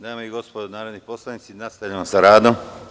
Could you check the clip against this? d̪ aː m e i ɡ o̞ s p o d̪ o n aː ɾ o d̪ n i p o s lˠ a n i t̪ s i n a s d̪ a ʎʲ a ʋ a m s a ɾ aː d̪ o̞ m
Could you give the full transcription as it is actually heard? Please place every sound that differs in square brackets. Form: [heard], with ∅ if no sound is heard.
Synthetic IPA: d̪ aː m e i ɡ o̞ s p o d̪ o n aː ɾ o d̪ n i p o s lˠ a n i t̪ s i n a s [t̪] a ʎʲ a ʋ a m s a ɾ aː d̪ o̞ m